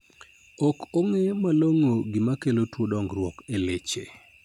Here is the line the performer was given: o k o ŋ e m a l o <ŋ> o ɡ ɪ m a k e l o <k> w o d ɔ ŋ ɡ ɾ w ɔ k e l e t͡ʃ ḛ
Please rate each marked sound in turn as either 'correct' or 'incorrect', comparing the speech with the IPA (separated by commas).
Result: correct, incorrect